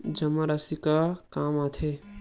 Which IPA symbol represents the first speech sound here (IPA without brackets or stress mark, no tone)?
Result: d͡ʒ